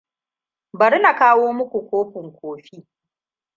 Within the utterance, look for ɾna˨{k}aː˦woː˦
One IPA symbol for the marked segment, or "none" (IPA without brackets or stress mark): k